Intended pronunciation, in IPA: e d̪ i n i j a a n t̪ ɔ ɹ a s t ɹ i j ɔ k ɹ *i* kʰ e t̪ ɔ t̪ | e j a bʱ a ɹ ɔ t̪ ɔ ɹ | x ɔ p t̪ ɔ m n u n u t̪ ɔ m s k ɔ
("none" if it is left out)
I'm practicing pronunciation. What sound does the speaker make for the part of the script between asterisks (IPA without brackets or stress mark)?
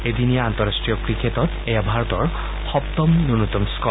i